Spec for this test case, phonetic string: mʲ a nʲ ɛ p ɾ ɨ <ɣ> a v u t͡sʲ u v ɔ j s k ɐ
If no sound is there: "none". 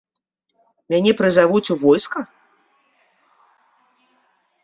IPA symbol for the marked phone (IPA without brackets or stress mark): z